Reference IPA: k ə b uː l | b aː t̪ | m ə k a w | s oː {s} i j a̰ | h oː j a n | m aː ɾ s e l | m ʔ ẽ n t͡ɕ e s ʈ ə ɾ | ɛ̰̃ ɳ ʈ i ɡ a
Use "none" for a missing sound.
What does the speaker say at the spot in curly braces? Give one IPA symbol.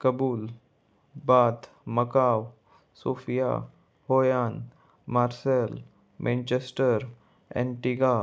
f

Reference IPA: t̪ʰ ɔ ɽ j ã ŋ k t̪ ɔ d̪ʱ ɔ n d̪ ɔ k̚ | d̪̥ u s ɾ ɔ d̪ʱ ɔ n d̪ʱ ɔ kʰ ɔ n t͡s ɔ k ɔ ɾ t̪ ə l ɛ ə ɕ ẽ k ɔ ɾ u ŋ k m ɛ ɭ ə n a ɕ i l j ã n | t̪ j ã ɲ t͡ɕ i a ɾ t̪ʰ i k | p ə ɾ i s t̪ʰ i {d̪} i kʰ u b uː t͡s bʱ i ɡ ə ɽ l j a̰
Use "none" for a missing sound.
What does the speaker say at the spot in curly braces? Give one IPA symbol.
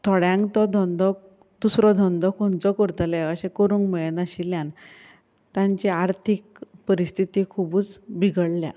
t̪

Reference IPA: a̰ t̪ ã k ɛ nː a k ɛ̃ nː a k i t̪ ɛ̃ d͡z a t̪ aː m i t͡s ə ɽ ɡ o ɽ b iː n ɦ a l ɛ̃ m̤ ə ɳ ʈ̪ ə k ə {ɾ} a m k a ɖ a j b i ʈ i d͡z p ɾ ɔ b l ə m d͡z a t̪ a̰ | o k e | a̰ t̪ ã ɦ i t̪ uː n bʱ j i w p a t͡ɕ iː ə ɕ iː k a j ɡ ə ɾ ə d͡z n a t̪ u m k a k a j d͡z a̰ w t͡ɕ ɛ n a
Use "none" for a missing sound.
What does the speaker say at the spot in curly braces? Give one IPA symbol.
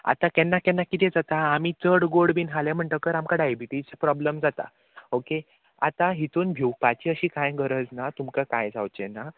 ɾ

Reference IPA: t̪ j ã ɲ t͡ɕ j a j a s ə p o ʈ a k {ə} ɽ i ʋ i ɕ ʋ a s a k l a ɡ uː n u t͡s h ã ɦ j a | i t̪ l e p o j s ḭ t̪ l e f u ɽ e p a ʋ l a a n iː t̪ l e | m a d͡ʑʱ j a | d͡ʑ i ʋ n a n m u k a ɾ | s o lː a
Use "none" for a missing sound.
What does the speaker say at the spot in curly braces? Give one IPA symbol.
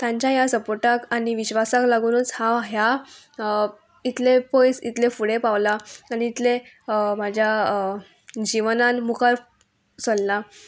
a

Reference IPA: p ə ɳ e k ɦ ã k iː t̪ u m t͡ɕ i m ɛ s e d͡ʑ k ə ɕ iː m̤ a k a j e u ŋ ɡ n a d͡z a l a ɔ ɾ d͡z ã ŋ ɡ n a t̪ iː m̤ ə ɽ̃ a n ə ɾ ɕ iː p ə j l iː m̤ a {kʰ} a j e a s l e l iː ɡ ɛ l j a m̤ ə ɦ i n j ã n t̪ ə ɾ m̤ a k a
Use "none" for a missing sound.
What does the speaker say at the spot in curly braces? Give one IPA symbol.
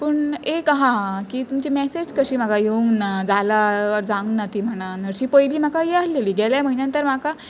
k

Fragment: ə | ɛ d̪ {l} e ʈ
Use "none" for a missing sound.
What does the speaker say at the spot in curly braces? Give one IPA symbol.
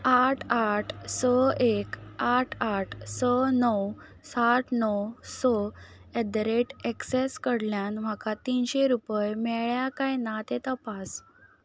ɾ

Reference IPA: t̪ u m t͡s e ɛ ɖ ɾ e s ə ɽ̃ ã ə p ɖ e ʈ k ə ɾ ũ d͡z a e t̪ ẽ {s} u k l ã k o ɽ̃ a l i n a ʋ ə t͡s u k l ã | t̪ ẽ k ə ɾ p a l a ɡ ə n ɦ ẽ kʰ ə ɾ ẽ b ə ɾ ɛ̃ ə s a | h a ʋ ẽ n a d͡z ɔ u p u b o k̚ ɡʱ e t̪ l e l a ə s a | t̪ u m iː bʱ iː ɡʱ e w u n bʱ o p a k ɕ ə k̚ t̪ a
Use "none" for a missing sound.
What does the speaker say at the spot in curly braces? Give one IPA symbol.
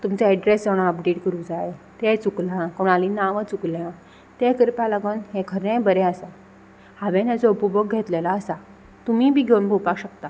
t͡s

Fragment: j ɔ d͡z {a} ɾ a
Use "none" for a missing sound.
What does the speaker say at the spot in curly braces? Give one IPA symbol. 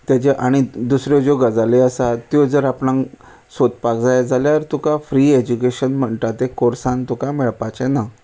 ə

